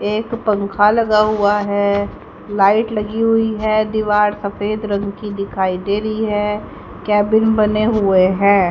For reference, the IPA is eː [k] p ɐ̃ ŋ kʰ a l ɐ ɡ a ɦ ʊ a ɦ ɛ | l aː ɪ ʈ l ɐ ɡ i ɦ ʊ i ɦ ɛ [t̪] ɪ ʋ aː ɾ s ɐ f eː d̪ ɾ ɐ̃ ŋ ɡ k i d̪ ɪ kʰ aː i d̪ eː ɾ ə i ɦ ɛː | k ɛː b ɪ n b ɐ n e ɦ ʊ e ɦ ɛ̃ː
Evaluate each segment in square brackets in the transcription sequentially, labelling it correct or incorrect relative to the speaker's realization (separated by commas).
correct, incorrect